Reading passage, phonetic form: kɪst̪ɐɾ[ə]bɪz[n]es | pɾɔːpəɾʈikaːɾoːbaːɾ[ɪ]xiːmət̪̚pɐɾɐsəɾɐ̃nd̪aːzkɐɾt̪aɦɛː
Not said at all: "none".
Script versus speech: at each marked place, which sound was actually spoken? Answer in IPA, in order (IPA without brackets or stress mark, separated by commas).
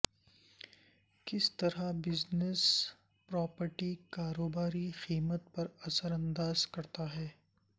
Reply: a, n, i